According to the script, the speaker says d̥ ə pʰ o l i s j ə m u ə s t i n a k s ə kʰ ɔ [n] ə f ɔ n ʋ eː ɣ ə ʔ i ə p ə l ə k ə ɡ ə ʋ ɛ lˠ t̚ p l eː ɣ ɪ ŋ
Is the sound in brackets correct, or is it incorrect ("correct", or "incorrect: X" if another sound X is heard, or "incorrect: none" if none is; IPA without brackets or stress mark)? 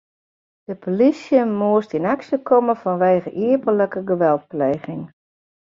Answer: incorrect: m